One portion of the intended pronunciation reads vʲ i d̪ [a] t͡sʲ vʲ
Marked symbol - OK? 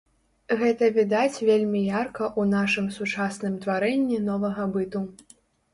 yes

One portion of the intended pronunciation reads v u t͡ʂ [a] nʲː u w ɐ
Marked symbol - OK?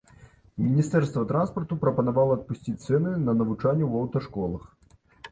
yes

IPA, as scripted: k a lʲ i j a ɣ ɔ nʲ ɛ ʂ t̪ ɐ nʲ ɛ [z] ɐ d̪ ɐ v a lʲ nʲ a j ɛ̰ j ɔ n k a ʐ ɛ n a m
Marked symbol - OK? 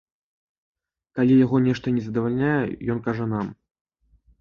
yes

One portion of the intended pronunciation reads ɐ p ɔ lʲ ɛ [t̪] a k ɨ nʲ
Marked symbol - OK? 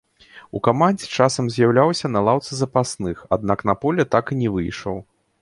yes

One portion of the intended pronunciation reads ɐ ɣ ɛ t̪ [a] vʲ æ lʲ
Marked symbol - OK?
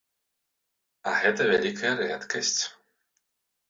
no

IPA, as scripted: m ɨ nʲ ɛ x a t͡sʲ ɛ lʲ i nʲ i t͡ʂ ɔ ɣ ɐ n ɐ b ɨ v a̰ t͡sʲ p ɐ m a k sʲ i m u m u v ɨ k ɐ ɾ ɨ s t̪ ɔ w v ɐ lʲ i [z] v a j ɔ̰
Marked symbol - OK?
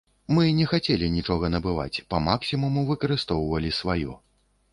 no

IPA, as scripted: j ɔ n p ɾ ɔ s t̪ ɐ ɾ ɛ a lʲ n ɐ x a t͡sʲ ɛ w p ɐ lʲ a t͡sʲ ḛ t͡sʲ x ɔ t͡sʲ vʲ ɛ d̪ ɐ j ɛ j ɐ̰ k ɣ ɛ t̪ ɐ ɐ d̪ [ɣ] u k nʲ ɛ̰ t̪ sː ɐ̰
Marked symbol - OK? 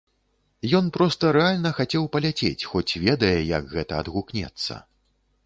yes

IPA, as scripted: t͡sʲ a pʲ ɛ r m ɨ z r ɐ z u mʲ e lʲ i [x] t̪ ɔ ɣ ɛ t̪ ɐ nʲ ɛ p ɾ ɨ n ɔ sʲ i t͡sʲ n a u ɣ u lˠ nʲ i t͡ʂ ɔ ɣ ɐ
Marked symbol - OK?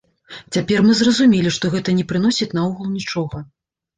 no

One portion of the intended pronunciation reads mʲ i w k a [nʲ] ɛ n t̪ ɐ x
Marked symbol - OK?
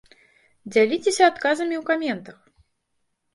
no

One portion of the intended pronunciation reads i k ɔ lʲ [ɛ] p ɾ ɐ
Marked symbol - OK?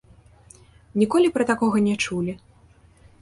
no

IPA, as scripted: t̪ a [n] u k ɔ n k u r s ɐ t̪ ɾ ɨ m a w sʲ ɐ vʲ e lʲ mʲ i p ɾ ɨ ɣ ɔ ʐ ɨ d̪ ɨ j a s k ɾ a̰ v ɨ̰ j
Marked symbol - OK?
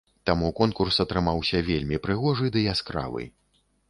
no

